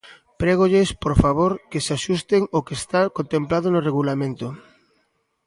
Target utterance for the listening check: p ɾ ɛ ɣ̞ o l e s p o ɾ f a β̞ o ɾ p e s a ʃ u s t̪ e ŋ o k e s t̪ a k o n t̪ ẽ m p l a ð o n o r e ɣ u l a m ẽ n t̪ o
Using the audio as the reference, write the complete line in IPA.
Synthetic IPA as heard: p ɾ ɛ ɣ̞ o ʎ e s p o ɾ f a β̞ o ɾ k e s a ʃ u s t̪ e ŋ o k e s t̪ a k o n t̪ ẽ m p l a ð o n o r e ɣ u l a m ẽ n t̪ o